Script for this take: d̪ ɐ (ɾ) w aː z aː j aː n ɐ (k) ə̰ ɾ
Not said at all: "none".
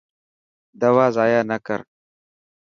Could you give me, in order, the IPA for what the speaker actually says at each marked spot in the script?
none, k

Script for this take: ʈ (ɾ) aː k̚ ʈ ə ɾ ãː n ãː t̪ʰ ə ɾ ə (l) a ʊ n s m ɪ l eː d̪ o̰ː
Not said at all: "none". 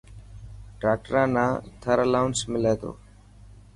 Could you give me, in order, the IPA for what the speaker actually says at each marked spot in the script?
ɾ, l

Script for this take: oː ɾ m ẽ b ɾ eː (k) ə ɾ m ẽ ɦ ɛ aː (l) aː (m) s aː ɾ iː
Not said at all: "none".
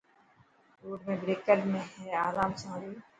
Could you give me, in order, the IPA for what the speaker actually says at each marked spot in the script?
k, ɾ, m

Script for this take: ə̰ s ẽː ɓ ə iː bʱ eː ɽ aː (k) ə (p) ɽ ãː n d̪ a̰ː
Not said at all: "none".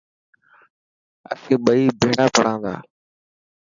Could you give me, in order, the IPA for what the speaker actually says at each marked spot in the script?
p, none

